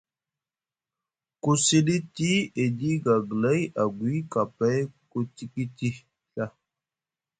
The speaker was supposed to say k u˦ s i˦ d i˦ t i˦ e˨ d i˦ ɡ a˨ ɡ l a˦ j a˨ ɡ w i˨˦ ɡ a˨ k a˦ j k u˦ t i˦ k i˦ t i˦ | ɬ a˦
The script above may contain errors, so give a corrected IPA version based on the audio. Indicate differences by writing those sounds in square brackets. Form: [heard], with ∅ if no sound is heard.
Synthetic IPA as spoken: k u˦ s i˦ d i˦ t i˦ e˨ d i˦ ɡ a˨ ɡ l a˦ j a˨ ɡ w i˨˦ [k] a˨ [p] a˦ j k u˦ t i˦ k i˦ t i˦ | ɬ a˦